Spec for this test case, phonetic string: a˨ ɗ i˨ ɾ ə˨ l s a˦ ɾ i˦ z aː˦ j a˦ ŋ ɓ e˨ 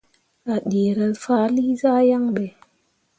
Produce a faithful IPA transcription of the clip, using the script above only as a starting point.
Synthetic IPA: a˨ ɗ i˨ ɾ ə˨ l f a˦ l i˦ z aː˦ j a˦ ŋ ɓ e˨